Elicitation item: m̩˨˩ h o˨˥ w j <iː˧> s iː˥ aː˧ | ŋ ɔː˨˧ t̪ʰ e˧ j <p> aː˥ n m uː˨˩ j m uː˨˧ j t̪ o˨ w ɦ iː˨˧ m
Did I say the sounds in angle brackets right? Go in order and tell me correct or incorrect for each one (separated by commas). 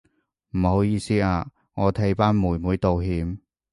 correct, correct